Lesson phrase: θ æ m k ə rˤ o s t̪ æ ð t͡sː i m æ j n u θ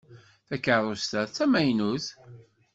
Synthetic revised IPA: θ æ k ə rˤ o s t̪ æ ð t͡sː æ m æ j n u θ